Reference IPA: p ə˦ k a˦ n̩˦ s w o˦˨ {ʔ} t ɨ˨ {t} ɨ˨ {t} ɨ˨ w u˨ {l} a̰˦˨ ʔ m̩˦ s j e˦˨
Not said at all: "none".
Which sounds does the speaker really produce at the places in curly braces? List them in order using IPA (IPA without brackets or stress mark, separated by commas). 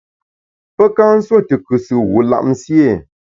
none, k, s, l